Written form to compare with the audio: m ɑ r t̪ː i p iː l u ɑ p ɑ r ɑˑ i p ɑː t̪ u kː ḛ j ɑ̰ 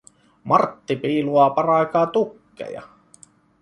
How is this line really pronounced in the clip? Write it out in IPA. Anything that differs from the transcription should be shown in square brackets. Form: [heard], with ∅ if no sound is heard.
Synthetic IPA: m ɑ r t̪ː i p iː l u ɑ p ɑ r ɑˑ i [k] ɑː t̪ u kː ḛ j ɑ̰